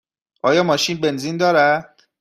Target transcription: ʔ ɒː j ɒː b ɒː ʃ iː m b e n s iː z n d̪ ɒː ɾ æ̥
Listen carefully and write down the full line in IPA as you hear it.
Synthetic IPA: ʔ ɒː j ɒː m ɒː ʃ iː n b e n z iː n d̪ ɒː ɾ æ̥